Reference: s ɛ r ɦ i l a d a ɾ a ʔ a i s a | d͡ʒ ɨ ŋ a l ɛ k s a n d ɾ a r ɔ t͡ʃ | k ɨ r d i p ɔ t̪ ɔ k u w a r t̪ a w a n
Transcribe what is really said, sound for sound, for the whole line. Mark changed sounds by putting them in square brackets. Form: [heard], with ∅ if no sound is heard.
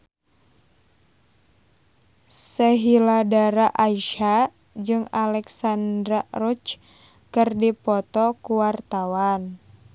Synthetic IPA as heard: s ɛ [∅] ɦ i l a d a ɾ a ʔ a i [ʃ] a | d͡ʒ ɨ ŋ a l ɛ k s a n d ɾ a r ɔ t͡ʃ | k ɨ r d i p ɔ t̪ ɔ k u w a r t̪ a w a n